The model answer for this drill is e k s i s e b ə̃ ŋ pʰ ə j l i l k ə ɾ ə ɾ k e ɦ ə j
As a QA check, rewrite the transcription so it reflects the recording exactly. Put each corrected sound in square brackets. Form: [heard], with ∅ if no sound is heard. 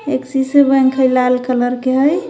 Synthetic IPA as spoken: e k s i s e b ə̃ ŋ [kʰ] ə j l [a] l k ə [l] ə ɾ k e ɦ ə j